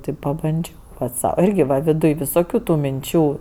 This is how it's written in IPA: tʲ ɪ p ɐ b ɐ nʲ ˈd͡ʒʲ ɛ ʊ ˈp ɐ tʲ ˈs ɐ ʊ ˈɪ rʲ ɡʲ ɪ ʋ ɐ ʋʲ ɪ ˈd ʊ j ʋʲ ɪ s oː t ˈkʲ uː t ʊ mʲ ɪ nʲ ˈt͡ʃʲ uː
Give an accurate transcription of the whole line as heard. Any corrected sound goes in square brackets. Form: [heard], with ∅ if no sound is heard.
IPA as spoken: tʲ ɪ p ɐ b ɐ nʲ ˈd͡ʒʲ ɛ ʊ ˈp ɐ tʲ ˈs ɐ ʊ ˈɪ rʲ ɡʲ ɪ ʋ ɐ ʋʲ ɪ ˈd ʊ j ʋʲ ɪ s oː [∅] ˈkʲ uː t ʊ mʲ ɪ nʲ ˈt͡ʃʲ uː